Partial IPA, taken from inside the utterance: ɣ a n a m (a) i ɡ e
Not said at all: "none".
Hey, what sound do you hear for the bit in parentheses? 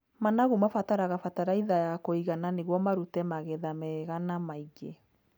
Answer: a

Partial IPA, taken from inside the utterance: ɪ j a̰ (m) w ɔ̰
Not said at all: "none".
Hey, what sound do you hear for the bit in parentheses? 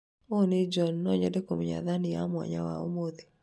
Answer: m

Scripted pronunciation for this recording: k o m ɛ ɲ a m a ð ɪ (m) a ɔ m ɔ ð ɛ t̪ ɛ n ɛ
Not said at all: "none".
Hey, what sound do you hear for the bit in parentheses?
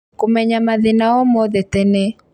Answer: n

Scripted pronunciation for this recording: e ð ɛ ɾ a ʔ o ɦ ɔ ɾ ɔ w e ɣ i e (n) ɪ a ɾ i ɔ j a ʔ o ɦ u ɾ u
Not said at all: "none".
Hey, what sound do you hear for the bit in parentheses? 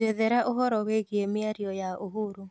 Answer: m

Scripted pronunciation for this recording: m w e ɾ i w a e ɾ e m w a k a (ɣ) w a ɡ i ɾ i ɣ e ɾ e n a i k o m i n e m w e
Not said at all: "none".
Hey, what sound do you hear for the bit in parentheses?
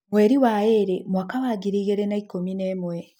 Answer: none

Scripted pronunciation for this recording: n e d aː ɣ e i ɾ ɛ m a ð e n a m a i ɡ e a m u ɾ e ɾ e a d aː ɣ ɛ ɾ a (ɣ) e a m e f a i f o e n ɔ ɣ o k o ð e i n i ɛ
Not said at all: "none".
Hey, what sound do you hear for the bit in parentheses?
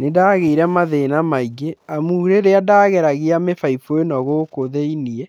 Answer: ɣ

